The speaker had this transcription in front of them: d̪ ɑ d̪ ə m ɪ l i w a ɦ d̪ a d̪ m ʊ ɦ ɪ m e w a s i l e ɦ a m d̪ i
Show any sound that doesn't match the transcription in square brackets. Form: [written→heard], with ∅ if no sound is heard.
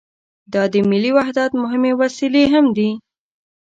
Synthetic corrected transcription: d̪ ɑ d̪ ə m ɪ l i w a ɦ d̪ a [d̪→t̪] m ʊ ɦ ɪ m e w a s i l e ɦ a m d̪ i